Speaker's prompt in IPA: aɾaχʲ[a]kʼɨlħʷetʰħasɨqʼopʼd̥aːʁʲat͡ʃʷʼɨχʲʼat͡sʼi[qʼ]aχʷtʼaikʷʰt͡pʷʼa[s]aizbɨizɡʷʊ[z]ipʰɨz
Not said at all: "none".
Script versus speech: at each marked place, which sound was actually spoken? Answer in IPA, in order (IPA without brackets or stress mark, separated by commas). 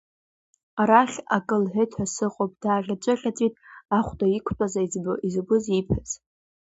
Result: a, tʼ, z, z